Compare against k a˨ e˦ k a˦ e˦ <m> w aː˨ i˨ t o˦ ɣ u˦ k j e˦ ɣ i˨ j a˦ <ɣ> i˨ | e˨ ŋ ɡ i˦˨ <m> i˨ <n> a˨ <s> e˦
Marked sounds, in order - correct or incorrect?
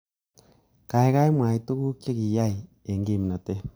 correct, incorrect, correct, correct, incorrect

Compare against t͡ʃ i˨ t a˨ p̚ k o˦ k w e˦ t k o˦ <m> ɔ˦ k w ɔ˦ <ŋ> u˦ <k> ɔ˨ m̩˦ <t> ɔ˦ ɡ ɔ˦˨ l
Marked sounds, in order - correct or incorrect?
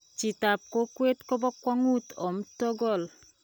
incorrect, correct, incorrect, correct

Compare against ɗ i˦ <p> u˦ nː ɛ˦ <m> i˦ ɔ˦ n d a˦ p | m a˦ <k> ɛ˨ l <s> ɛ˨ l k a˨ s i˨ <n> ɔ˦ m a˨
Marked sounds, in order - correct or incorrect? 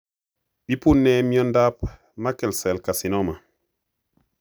correct, correct, correct, correct, correct

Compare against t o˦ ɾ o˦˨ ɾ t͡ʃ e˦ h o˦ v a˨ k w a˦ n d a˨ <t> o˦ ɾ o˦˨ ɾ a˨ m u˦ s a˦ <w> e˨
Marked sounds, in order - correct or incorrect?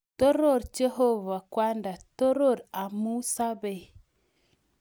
correct, incorrect

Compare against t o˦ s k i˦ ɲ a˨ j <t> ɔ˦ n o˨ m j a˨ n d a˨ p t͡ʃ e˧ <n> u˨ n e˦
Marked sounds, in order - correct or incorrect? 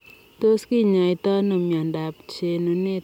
correct, correct

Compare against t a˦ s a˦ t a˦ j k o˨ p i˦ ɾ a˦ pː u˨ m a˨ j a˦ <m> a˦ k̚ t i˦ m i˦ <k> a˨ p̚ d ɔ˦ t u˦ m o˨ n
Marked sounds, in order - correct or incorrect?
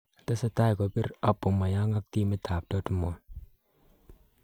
incorrect, incorrect

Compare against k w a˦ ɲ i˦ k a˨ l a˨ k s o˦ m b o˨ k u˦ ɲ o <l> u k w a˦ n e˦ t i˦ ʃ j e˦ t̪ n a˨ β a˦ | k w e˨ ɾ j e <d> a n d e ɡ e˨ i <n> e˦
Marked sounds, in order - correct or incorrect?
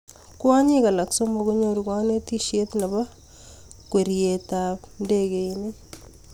incorrect, incorrect, correct

